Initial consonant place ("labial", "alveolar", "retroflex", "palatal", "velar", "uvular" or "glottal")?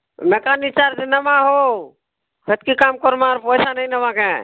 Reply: labial